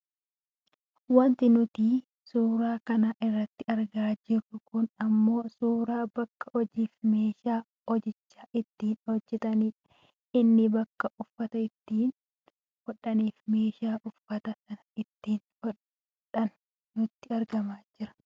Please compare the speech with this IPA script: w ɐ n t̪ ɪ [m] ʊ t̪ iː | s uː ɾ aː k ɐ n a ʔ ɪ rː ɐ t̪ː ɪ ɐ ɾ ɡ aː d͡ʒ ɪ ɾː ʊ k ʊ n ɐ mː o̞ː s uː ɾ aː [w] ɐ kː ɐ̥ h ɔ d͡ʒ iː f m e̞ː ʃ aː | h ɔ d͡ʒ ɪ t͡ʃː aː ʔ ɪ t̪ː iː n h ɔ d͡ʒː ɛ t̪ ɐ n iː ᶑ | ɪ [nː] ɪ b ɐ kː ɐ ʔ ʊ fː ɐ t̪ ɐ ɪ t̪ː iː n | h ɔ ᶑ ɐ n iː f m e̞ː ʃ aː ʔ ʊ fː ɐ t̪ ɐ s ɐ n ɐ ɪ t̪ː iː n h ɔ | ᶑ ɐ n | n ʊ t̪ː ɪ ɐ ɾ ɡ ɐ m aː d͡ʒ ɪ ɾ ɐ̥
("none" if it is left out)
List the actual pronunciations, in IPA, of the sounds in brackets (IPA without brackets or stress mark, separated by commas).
n, b, nː